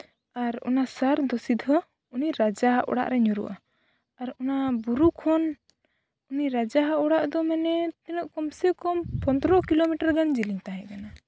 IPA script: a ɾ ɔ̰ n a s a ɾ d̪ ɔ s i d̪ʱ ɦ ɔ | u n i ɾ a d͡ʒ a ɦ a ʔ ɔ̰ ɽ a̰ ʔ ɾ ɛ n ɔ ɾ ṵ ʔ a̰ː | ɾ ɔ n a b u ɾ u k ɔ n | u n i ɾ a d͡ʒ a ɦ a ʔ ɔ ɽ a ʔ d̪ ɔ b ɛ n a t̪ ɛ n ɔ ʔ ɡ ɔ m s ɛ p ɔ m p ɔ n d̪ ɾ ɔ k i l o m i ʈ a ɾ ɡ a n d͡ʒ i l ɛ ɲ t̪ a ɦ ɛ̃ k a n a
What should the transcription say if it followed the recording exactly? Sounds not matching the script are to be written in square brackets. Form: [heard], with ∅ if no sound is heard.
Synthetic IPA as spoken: a ɾ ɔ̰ n a s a ɾ d̪ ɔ s i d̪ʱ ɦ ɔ | u n i ɾ a d͡ʒ a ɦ a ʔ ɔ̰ ɽ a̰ ʔ ɾ ɛ [ɲ] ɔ ɾ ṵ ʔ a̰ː | ɾ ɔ n a b u ɾ u [kʰ] ɔ n | u n i ɾ a d͡ʒ a ɦ a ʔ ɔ ɽ a ʔ d̪ ɔ [m] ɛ n [ɛ] t̪ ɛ n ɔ ʔ [k] ɔ m s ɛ [k] ɔ m p ɔ n d̪ ɾ ɔ k i l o m i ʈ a ɾ ɡ a n d͡ʒ i l [i] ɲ t̪ a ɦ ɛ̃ k a n a